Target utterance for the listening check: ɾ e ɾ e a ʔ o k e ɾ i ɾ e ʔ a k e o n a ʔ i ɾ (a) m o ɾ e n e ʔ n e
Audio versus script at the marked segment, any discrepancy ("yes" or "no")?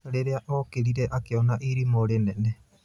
yes